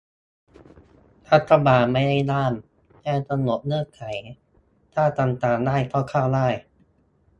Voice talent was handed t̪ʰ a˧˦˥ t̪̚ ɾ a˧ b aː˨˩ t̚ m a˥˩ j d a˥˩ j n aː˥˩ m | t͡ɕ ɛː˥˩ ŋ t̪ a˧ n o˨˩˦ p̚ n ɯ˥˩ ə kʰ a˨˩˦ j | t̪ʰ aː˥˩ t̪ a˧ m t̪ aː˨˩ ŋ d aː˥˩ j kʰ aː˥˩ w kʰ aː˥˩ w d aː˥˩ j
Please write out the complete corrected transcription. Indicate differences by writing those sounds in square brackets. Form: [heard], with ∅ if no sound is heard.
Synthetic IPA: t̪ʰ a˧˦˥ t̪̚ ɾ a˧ b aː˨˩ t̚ m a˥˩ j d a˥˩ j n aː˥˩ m | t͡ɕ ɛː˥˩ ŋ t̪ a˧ n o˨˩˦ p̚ n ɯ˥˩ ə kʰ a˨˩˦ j | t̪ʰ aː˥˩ t̪ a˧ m t̪ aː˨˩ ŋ d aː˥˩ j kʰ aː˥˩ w kʰ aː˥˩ w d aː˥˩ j